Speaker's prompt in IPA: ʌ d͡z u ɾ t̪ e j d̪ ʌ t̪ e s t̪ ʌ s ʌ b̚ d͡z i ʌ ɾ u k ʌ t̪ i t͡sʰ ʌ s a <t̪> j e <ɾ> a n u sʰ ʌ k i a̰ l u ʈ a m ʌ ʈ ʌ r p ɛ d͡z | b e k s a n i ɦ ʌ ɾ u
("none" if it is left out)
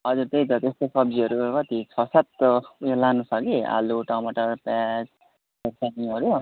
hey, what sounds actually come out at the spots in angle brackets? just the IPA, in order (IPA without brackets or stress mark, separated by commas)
t̪, l